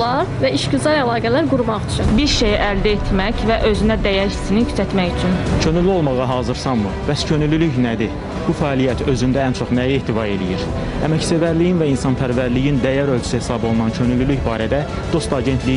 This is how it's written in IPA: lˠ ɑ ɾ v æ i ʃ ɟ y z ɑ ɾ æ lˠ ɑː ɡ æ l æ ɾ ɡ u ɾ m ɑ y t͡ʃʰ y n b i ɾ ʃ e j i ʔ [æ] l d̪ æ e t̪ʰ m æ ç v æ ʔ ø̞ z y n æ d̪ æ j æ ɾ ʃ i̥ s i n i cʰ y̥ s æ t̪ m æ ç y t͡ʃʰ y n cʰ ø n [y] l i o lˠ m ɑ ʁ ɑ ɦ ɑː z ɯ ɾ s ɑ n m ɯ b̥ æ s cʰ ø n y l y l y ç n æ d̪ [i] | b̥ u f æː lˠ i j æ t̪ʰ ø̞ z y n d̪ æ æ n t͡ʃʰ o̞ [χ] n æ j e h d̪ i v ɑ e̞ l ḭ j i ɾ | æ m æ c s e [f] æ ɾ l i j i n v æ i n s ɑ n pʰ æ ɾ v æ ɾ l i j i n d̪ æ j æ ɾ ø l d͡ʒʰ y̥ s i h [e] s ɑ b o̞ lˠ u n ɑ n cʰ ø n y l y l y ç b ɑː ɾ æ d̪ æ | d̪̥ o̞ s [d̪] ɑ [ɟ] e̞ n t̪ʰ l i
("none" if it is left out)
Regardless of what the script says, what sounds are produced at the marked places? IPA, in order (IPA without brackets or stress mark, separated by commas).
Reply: æ, y, i, χ, v, e, t̪, ɟ